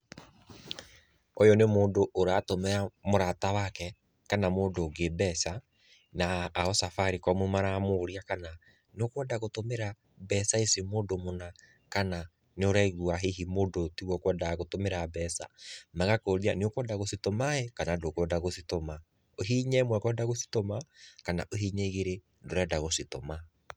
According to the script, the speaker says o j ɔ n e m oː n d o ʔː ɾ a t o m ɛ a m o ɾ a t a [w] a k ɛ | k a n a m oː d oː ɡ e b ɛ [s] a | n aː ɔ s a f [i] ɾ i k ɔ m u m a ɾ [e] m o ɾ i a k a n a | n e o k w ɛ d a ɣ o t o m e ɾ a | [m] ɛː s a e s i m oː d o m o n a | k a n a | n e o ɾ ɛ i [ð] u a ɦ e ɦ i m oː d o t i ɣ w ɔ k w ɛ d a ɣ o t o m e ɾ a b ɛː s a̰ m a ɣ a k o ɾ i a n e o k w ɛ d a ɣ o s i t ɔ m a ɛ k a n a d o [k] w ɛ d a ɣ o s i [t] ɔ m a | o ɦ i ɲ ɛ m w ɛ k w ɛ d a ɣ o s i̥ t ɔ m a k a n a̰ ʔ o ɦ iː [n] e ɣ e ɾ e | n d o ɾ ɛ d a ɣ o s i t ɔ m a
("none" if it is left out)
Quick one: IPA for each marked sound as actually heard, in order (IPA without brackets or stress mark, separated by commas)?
w, s, a, a, b, ɣ, k, t, ɲ